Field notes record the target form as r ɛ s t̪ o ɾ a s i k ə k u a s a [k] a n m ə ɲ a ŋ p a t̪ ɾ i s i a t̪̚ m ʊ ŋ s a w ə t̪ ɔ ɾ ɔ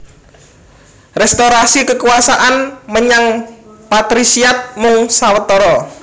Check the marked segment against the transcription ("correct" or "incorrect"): incorrect